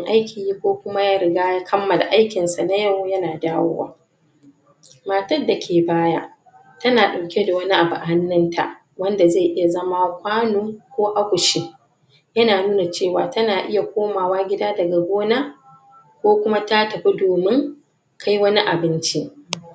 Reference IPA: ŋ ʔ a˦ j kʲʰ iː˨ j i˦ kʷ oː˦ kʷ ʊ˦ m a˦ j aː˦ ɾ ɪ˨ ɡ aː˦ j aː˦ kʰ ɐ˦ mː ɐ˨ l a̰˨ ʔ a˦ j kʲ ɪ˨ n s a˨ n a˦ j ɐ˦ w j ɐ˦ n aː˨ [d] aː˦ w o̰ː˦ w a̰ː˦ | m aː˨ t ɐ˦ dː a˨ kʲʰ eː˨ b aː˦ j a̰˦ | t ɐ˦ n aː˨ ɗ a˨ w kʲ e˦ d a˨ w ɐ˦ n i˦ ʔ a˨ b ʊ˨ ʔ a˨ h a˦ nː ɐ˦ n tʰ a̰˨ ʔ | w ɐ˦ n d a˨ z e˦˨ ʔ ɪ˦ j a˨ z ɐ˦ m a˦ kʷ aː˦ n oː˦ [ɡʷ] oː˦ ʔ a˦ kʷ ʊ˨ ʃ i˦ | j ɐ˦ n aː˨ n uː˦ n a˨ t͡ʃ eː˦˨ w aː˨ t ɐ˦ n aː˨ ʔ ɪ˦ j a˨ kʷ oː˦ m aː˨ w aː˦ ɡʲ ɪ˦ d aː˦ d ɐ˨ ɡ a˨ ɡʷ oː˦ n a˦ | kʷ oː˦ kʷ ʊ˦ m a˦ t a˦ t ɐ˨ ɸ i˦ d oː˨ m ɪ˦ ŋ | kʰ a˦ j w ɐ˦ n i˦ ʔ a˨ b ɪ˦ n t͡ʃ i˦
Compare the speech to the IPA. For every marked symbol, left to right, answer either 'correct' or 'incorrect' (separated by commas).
correct, incorrect